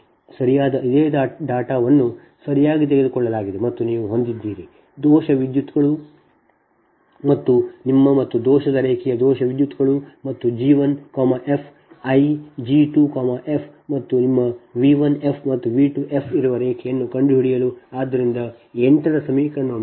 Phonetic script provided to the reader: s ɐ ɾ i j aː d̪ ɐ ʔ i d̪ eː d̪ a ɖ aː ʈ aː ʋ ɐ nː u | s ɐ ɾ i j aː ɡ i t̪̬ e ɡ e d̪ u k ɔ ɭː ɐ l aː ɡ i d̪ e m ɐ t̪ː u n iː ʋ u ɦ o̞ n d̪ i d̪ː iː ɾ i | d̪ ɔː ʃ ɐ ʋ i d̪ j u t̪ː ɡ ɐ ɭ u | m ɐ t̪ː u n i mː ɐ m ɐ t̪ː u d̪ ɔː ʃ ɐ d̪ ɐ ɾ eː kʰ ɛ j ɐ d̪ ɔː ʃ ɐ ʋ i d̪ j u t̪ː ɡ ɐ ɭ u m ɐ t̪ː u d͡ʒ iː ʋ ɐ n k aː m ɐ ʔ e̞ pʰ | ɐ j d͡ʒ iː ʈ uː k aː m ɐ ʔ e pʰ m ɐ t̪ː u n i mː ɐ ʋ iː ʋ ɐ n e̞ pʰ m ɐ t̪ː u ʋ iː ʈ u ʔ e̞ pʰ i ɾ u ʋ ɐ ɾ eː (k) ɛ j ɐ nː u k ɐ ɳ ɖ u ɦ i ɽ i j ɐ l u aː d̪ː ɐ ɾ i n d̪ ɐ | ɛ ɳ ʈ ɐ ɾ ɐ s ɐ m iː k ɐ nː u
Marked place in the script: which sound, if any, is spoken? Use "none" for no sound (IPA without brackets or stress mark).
kʰ